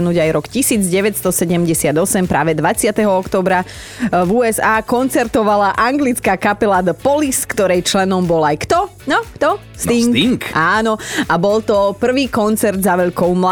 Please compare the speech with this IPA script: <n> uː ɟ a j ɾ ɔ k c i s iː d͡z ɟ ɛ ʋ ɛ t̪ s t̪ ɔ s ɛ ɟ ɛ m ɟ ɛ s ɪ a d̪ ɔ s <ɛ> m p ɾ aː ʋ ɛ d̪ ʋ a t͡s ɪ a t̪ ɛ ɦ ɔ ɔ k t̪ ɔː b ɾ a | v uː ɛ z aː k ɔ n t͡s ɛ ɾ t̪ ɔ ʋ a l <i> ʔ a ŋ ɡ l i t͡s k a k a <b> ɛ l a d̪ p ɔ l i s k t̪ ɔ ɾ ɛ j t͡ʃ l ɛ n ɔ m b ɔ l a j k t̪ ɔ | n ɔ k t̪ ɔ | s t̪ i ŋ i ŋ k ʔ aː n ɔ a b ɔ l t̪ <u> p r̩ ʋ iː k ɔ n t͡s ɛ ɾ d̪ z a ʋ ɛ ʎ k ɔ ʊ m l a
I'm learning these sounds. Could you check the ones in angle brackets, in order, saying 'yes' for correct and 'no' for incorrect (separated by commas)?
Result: yes, yes, no, no, no